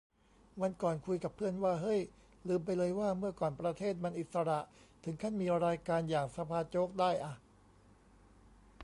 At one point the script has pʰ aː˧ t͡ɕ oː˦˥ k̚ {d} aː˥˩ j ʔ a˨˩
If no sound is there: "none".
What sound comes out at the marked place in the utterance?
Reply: d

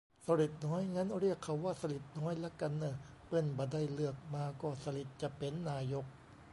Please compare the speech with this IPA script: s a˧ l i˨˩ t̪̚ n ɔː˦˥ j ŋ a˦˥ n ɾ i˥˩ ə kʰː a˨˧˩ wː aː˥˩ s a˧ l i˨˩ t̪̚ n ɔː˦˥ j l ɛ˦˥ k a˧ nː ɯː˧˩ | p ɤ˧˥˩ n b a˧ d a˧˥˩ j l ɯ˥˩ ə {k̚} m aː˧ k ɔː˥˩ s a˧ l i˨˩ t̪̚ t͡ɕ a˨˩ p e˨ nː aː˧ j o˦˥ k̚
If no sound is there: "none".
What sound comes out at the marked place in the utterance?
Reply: k̚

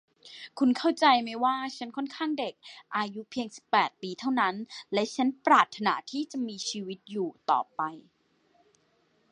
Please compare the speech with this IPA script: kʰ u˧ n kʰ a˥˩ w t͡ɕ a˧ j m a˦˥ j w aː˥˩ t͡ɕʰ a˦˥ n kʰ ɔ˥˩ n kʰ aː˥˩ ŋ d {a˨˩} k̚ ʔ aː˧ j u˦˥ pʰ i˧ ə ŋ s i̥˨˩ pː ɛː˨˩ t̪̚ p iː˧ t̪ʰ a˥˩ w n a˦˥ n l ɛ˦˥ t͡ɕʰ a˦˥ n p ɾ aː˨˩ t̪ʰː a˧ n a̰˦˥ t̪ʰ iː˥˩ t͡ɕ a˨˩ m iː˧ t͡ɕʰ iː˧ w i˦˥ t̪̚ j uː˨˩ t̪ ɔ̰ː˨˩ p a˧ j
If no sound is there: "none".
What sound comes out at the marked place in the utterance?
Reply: e˨˩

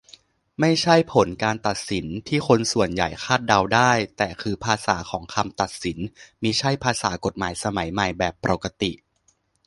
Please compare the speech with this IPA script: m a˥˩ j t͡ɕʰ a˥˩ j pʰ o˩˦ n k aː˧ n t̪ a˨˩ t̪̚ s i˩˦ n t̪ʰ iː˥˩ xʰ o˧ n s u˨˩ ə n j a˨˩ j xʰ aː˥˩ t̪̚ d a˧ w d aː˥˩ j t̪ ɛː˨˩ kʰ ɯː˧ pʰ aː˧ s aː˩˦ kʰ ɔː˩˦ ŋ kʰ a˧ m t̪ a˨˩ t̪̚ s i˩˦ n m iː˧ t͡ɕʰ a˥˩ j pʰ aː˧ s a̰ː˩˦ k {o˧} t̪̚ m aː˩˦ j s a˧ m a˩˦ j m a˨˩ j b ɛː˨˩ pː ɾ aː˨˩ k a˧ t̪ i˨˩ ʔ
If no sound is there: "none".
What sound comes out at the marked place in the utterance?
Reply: o˨˩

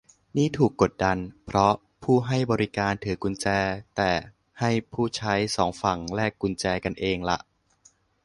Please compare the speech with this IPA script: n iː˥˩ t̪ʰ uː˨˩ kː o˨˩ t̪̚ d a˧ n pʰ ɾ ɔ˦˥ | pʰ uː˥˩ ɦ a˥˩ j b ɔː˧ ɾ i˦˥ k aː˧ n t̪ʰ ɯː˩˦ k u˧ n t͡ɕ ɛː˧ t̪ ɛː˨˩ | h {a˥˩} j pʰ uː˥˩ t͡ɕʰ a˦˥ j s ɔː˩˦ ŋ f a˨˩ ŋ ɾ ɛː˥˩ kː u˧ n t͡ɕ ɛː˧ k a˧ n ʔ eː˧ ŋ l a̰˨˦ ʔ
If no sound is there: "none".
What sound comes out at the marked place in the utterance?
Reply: a˥˩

